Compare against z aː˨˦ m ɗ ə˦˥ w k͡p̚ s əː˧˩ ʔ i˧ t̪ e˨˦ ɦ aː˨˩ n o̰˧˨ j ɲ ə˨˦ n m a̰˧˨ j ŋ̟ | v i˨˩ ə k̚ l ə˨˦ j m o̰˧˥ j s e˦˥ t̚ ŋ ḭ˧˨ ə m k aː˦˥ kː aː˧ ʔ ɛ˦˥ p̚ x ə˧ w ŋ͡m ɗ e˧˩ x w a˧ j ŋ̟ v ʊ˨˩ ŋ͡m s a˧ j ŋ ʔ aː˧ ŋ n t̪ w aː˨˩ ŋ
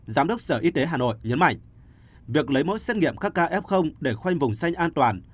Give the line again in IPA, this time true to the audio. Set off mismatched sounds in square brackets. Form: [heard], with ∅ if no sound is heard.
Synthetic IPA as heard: z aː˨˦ m ɗ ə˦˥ w k͡p̚ s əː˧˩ ʔ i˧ t̪ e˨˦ ɦ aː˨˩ n o̰˧˨ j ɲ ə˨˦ n m a̰˧˨ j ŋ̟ | v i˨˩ ə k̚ l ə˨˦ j m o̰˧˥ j s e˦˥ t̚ ŋ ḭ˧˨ ə m k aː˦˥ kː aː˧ ʔ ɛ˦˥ p̚ x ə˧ w ŋ͡m ɗ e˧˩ x w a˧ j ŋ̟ v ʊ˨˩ ŋ͡m s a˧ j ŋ ʔ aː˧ [∅] n t̪ w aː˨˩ [n]

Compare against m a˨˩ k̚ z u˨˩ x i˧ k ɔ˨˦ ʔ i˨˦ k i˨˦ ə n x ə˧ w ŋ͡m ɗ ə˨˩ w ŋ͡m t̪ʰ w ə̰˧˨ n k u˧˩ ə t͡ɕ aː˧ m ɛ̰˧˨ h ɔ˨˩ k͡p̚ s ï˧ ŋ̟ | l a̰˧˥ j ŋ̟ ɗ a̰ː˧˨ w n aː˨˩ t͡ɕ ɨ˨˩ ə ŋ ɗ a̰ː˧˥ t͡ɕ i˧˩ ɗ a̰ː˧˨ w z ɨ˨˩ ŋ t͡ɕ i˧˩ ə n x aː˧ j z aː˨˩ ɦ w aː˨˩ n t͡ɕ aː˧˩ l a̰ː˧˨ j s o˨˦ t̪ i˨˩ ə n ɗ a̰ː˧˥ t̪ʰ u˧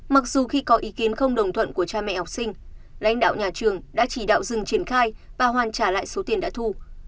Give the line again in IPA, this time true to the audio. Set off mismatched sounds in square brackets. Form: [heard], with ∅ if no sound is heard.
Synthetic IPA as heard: m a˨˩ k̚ z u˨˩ x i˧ k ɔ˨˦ ʔ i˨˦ k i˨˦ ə n x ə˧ w ŋ͡m ɗ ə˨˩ w ŋ͡m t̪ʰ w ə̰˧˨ n k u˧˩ ə t͡ɕ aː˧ m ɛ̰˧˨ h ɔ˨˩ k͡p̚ s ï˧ ŋ̟ | l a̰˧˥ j ŋ̟ ɗ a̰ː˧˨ w [ɲ] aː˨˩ t͡ɕ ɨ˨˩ ə ŋ ɗ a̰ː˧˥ t͡ɕ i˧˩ ɗ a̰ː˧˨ w z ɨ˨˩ ŋ t͡ɕ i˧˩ ə n x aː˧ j [v] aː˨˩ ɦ w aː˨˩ n t͡ɕ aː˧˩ l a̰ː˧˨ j s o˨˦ t̪ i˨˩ ə n ɗ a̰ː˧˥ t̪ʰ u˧

